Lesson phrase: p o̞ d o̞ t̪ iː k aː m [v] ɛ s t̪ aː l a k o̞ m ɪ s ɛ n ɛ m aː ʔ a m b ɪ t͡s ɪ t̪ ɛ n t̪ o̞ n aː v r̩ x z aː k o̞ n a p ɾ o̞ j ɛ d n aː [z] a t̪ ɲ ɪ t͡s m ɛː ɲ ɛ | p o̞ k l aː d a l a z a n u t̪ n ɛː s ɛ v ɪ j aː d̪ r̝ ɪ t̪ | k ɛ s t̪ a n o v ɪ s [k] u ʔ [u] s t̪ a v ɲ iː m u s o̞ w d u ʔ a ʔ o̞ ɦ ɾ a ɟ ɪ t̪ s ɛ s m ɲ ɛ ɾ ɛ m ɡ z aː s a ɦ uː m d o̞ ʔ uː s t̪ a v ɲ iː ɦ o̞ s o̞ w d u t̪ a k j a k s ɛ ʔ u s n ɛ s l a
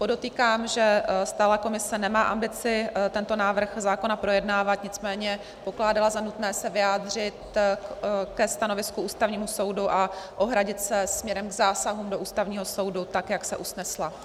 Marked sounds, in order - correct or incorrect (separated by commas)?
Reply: incorrect, incorrect, correct, incorrect